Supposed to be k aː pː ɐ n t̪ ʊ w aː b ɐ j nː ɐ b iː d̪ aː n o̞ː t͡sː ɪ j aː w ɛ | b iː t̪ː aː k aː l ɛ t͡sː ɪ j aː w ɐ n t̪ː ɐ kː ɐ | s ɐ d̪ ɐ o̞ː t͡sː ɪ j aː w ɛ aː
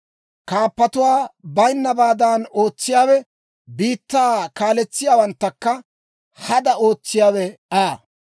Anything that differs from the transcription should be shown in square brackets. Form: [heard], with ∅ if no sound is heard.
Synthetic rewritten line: k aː pː ɐ [∅] t̪ ʊ w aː b ɐ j nː ɐ b [aː] d̪ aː n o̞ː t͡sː ɪ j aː w ɛ | b iː t̪ː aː k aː l ɛ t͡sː ɪ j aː w ɐ n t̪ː ɐ kː ɐ | [h] ɐ d̪ ɐ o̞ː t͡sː ɪ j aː w ɛ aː

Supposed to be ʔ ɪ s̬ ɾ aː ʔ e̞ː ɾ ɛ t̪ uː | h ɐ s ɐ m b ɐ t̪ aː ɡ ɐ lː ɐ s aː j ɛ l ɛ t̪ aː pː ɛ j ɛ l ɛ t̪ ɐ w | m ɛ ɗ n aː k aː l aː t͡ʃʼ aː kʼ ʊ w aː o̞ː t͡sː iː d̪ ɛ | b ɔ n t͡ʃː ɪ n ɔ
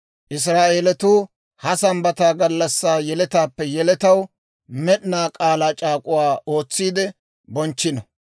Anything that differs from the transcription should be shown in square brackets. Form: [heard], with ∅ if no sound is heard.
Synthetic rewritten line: ʔ ɪ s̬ ɾ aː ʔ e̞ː [l] ɛ t̪ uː | h ɐ s ɐ m b ɐ t̪ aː ɡ ɐ lː ɐ [sː] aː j ɛ l ɛ t̪ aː pː ɛ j ɛ l ɛ t̪ ɐ w | m ɛ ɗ n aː [kʼ] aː l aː t͡ʃʼ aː kʼ ʊ w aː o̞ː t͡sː iː d̪ ɛ | b ɔ n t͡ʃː ɪ n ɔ

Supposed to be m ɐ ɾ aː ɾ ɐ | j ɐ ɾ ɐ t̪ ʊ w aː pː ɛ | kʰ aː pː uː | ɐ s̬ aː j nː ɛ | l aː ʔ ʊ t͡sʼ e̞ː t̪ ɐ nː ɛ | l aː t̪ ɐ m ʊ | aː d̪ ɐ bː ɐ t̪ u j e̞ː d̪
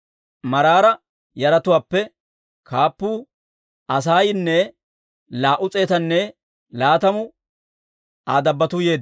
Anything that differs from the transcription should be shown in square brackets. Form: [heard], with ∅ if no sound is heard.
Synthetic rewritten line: m ɐ ɾ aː ɾ ɐ | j ɐ ɾ ɐ t̪ ʊ w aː pː ɛ | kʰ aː pː uː | ɐ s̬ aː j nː ɛ | l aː ʔ ʊ t͡sʼ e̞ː t̪ ɐ nː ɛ | l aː t̪ ɐ m ʊ | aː d̪ ɐ bː ɐ t̪ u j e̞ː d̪

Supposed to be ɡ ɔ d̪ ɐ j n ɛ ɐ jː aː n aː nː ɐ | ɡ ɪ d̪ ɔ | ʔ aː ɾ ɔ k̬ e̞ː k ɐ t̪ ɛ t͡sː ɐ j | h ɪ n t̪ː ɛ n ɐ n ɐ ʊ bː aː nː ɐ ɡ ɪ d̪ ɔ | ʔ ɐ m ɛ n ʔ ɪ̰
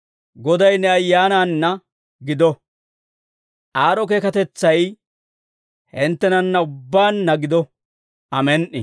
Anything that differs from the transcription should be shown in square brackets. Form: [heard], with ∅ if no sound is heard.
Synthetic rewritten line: ɡ ɔ d̪ ɐ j n ɛ ɐ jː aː n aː nː ɐ | ɡ ɪ d̪ ɔ | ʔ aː ɾ ɔ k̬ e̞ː k ɐ t̪ ɛ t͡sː ɐ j | h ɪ n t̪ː ɛ n ɐ [nː] ɐ ʊ bː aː nː ɐ ɡ ɪ d̪ ɔ | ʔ ɐ m ɛ n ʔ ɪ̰

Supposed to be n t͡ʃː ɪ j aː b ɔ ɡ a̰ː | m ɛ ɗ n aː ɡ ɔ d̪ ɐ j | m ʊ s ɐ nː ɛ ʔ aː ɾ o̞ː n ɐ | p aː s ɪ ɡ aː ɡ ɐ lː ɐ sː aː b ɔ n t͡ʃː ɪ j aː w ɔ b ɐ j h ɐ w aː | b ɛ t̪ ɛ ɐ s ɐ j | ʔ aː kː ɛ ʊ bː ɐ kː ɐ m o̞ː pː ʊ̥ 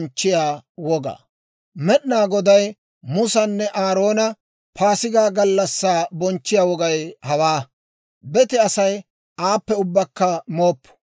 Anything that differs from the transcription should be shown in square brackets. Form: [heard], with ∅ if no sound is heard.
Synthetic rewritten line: n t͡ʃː ɪ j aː [w] ɔ ɡ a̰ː | m ɛ ɗ n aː ɡ ɔ d̪ ɐ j | m ʊ s ɐ nː ɛ ʔ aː ɾ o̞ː n ɐ | p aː s ɪ ɡ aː ɡ ɐ lː ɐ sː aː b ɔ n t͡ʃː ɪ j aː w ɔ [ɡ] ɐ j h ɐ w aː | b ɛ t̪ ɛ ɐ s ɐ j | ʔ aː [pː] ɛ ʊ bː ɐ kː ɐ m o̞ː pː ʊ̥

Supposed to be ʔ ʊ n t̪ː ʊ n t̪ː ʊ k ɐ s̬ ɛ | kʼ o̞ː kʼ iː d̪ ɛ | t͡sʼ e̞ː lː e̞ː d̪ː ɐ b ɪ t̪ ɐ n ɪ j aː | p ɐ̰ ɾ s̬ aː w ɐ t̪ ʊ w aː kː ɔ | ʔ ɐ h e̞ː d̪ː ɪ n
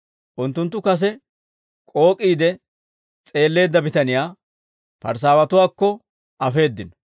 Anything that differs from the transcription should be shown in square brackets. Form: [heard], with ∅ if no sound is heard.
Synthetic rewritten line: ʔ ʊ n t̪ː ʊ n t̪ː ʊ k ɐ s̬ ɛ | kʼ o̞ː kʼ iː d̪ ɛ | t͡sʼ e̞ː lː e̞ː d̪ː ɐ b ɪ t̪ ɐ n ɪ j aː | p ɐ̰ ɾ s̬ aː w ɐ t̪ ʊ w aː kː ɔ | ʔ ɐ [f] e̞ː d̪ː ɪ n

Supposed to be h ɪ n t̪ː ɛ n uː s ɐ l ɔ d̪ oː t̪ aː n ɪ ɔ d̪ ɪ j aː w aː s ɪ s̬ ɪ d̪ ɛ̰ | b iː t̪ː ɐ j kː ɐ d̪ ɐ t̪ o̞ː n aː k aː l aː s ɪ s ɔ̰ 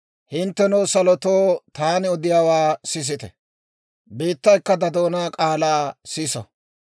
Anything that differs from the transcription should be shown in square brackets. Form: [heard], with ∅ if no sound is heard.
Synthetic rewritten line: h ɪ n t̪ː ɛ n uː s ɐ l ɔ [t̪] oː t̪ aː n ɪ ɔ d̪ ɪ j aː w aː s ɪ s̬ ɪ [t̪] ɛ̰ | b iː t̪ː ɐ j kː ɐ d̪ ɐ [d̪] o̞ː n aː [kʼ] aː l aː s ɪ s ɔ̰

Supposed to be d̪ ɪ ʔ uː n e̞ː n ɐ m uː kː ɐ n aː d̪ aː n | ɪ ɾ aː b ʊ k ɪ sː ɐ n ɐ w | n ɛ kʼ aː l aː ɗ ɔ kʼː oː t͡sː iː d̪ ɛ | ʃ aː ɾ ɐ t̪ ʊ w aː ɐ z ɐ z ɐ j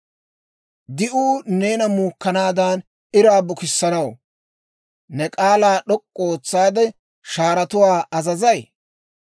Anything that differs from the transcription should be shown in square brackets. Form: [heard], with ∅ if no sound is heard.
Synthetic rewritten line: d̪ ɪ ʔ uː n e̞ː n ɐ m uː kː ɐ n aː d̪ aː n | ɪ ɾ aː b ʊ k ɪ sː ɐ n ɐ w | n ɛ kʼ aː l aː ɗ ɔ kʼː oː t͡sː [aː] d̪ ɛ | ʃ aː ɾ ɐ t̪ ʊ w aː ɐ z ɐ z ɐ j

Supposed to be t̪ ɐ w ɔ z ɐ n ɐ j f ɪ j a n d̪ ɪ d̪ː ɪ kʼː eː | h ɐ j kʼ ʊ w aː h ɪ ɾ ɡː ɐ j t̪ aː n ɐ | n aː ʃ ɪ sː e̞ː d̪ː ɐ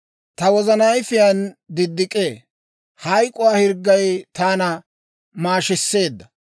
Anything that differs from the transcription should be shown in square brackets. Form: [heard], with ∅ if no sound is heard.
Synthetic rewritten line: t̪ ɐ w ɔ z ɐ n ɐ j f ɪ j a n d̪ ɪ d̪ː ɪ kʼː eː | h ɐ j kʼ ʊ w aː h ɪ ɾ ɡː ɐ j t̪ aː n ɐ | [m] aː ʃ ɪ sː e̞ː d̪ː ɐ

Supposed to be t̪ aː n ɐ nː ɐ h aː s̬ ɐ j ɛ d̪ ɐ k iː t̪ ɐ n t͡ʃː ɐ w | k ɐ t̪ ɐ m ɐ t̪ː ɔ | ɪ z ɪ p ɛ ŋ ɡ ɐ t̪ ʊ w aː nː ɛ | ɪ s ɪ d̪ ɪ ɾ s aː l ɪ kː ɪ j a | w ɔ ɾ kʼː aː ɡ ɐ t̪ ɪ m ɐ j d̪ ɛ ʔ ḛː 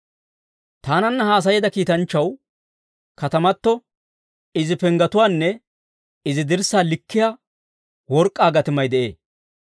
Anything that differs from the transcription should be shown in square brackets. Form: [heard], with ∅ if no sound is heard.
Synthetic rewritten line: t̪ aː n ɐ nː ɐ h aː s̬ ɐ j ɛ d̪ ɐ k iː t̪ ɐ n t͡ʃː ɐ w | k ɐ t̪ ɐ m ɐ t̪ː ɔ | ɪ z ɪ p ɛ ŋ ɡ ɐ t̪ ʊ w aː nː ɛ | ɪ [z] ɪ d̪ ɪ ɾ s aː l ɪ kː ɪ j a | w ɔ ɾ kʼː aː ɡ ɐ t̪ ɪ m ɐ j d̪ ɛ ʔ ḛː

